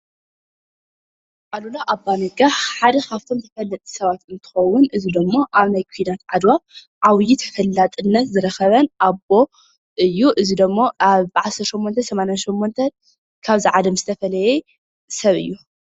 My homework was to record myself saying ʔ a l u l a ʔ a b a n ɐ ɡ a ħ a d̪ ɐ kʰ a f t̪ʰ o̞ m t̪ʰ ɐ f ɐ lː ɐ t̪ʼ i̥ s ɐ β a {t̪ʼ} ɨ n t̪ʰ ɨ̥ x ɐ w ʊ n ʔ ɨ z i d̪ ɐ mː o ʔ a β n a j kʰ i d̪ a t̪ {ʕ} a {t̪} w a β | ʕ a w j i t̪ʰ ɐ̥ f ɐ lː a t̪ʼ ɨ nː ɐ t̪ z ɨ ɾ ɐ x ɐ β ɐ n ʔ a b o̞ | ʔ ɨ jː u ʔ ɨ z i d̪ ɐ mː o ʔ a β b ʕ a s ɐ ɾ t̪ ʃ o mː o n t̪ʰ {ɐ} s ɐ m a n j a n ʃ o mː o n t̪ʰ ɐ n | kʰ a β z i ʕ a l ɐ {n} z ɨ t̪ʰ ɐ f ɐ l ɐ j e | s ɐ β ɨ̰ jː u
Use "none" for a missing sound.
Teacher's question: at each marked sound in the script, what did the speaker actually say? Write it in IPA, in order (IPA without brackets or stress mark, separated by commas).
t̪, ʕ, d̪, ɐ, m